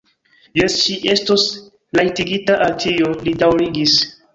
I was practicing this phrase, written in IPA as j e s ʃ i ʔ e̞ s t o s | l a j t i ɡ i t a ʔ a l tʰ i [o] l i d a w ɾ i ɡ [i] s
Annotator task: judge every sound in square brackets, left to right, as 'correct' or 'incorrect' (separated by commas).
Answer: correct, correct